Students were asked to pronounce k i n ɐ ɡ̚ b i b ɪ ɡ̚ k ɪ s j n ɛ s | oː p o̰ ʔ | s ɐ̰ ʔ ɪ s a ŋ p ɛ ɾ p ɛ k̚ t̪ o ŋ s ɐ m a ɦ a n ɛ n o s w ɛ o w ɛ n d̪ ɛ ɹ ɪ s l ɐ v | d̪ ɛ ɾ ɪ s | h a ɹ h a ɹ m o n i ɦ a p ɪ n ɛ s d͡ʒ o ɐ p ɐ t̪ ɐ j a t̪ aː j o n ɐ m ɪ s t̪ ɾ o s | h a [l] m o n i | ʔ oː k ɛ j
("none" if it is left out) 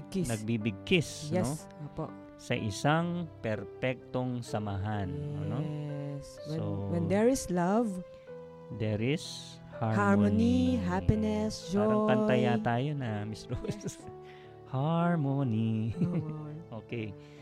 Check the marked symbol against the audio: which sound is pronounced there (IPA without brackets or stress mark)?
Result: ɹ